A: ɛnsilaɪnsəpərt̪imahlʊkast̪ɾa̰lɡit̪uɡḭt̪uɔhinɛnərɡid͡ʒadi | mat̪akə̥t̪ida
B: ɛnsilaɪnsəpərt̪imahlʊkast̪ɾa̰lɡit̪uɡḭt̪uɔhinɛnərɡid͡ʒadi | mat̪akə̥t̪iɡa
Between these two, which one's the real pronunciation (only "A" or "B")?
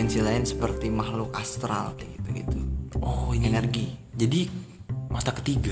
B